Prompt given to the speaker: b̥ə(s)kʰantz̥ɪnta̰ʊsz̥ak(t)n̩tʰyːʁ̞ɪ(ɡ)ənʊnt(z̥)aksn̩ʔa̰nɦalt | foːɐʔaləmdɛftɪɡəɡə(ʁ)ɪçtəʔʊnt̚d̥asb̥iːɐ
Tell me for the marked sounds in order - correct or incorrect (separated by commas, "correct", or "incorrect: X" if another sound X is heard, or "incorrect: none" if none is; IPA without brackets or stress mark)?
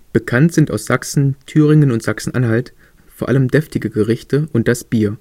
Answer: incorrect: none, incorrect: s, incorrect: ŋ, correct, correct